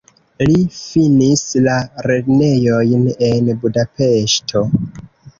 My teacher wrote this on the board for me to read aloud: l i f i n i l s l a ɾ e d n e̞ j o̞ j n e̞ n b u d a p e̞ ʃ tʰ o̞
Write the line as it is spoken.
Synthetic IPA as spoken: l i f i n i s l a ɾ e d n e̞ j o̞ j n e̞ n b u d a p e̞ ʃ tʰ o̞